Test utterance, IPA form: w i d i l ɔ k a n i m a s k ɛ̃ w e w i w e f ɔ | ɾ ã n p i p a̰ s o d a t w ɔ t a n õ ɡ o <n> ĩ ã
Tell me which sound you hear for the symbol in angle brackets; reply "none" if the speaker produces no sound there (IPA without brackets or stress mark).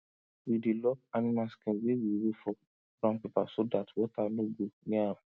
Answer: n